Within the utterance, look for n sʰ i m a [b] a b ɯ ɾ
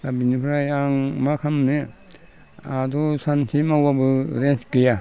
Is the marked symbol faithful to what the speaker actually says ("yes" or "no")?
no